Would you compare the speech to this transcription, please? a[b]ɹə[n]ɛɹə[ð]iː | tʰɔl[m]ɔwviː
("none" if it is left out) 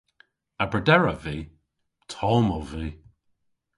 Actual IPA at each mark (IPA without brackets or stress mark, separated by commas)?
b, d, v, m